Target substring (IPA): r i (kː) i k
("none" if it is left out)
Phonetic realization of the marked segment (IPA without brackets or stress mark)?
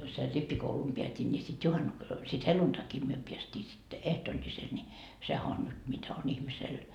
pː